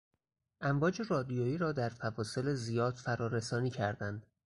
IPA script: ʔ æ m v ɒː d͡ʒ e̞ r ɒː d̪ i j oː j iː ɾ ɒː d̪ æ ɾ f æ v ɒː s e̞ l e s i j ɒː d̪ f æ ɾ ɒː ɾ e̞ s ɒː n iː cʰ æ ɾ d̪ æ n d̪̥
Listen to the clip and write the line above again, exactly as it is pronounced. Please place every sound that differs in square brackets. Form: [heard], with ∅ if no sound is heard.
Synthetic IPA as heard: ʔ æ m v ɒː d͡ʒ e̞ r ɒː d̪ i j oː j iː ɾ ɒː d̪ æ ɾ f æ v ɒː s e̞ l e [z] i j ɒː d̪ f æ ɾ ɒː ɾ e̞ s ɒː n iː cʰ æ ɾ d̪ æ n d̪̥